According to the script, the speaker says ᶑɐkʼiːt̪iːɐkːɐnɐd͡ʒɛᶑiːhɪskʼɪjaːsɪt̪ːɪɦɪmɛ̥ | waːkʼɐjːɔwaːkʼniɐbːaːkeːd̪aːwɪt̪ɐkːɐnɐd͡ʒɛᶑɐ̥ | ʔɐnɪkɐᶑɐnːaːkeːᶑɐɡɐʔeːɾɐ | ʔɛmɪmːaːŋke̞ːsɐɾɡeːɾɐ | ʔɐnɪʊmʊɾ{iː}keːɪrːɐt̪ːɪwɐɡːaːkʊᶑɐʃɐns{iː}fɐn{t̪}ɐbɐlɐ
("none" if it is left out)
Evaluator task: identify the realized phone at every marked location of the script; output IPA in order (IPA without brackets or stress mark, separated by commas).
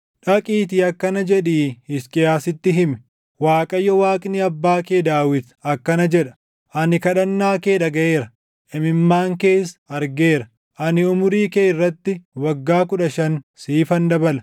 iː, iː, d̪